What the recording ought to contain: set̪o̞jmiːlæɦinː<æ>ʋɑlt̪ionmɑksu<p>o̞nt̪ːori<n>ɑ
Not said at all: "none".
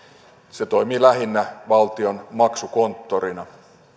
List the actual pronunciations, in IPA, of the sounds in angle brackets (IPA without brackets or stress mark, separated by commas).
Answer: æ, k, n